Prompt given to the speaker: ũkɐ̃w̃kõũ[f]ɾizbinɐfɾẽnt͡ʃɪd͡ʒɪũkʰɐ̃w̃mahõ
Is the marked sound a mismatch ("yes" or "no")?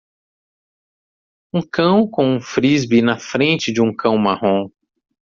no